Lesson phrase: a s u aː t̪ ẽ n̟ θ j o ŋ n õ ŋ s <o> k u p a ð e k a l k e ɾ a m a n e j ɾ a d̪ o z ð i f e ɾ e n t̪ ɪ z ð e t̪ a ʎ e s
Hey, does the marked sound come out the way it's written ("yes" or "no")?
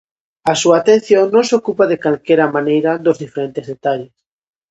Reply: yes